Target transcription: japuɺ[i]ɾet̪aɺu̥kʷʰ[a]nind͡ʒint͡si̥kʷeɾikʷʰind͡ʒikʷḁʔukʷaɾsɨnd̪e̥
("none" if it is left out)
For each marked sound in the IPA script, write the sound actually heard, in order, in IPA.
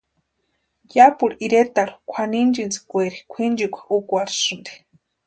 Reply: i, a

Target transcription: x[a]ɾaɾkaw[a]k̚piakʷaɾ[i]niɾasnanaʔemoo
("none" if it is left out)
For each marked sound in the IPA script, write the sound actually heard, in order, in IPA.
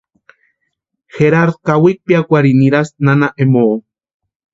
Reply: e, i, i

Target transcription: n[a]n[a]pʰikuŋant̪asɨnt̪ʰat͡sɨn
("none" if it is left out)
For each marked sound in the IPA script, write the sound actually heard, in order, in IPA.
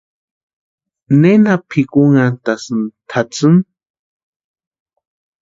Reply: e, a

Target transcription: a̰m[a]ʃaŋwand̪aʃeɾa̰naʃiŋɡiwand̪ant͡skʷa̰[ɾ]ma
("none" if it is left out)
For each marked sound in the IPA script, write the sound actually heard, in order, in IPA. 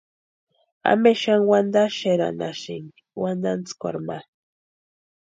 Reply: e, ɾ

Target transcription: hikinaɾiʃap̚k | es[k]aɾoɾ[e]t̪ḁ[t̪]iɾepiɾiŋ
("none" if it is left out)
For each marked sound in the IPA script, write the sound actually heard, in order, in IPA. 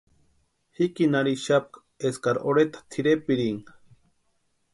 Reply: k, e, t̪ʰ

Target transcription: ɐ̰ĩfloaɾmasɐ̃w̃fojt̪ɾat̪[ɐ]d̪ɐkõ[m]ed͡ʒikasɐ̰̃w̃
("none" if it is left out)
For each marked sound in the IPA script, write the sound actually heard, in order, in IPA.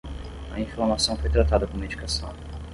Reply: a, m

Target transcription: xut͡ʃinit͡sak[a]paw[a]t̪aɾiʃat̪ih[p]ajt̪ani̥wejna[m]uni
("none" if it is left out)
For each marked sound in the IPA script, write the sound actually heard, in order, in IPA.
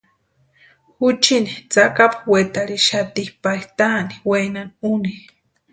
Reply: a, e, p, n

